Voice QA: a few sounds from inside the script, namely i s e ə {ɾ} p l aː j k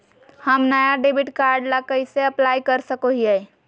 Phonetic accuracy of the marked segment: incorrect: none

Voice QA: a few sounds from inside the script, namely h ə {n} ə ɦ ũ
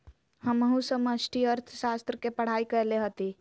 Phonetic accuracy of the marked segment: incorrect: m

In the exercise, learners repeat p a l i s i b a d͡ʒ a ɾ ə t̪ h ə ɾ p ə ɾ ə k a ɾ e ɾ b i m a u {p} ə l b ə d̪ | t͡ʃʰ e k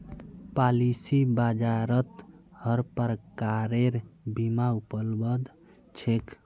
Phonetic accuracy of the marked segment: correct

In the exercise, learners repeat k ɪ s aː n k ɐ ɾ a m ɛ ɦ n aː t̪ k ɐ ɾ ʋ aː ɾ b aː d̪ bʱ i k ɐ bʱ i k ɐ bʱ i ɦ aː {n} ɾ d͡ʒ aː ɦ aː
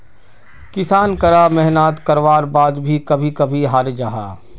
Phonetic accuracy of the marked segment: incorrect: none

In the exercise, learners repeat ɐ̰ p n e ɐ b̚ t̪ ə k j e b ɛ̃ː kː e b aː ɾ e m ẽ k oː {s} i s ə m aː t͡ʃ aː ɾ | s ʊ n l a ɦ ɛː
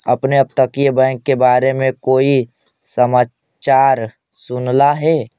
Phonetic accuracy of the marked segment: incorrect: none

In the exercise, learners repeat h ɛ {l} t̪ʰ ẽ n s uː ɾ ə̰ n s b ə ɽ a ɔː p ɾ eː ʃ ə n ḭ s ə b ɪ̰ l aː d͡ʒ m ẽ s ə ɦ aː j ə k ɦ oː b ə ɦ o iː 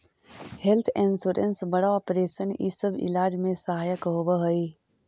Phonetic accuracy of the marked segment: correct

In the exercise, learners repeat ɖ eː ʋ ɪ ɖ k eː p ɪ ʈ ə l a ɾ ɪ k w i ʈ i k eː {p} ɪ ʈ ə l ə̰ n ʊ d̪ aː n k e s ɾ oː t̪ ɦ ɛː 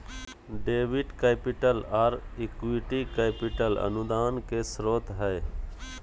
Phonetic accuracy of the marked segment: correct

